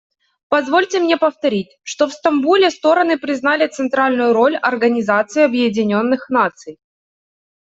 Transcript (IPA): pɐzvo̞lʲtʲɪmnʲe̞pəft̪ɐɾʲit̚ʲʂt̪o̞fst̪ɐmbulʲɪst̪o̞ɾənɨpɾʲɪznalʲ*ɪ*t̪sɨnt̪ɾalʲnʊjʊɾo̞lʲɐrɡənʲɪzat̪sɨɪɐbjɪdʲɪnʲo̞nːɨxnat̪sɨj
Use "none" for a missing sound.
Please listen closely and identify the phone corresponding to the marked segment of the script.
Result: ɪ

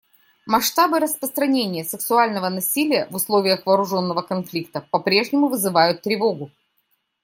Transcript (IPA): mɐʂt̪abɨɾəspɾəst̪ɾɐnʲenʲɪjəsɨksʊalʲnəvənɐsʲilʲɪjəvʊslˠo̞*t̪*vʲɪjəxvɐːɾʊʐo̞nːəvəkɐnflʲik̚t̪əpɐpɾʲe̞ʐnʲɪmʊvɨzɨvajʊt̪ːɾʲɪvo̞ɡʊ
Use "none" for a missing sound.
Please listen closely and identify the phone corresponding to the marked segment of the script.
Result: none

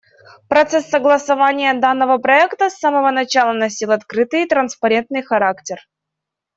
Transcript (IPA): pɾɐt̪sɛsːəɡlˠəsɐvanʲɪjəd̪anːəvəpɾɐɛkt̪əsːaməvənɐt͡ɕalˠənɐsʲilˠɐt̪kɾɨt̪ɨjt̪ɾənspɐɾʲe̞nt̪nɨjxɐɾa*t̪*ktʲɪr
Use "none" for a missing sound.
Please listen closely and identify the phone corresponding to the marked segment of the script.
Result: none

